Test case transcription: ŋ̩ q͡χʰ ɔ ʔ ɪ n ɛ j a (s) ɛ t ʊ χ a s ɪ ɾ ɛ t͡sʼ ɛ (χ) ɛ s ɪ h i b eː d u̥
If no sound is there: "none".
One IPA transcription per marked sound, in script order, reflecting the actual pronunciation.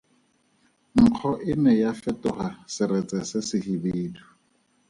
f, s

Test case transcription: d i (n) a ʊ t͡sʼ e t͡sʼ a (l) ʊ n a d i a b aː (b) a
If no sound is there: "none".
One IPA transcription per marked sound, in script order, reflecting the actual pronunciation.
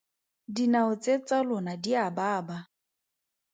n, l, b

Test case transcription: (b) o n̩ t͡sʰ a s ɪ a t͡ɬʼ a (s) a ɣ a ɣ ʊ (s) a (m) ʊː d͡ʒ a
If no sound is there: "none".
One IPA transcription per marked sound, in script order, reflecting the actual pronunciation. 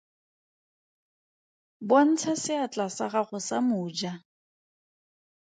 b, s, s, m

